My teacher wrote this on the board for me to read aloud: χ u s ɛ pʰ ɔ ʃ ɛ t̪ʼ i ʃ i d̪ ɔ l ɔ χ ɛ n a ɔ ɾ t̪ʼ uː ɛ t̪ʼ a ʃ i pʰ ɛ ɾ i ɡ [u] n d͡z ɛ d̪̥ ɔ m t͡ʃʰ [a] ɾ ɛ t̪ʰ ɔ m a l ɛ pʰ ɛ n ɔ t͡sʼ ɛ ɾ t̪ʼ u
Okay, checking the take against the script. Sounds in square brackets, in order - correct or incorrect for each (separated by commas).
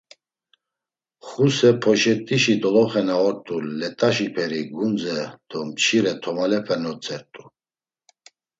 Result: correct, incorrect